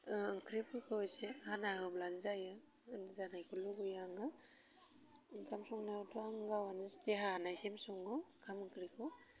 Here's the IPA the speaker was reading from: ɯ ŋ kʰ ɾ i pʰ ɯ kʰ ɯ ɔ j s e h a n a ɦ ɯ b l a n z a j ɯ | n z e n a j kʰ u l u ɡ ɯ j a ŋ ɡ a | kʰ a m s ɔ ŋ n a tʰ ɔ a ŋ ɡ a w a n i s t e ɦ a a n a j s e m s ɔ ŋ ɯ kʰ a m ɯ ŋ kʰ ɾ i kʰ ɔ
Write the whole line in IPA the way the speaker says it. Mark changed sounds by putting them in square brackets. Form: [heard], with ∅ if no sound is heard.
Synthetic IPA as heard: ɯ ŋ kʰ ɾ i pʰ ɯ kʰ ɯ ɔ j s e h a n a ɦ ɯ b l a n z a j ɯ | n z [a] n a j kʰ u l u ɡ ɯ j a ŋ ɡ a | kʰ a m s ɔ ŋ n a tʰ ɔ a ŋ ɡ a w a n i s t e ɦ a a n a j s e m s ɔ ŋ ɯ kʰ a m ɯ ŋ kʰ ɾ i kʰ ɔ